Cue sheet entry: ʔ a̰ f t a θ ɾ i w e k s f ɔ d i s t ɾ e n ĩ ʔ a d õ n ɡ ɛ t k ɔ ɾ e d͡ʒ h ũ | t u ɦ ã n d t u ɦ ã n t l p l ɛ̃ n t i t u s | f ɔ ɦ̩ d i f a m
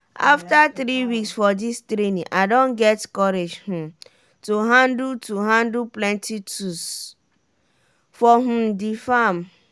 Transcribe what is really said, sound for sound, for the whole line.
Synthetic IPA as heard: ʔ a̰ f t a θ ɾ i w i k s f ɔ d i s t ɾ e n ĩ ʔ a d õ n ɡ ɛ t k ɔ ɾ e d͡ʒ h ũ | t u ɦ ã n d t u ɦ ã n d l p l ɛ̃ n t i t u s | f ɔ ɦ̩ d i f a m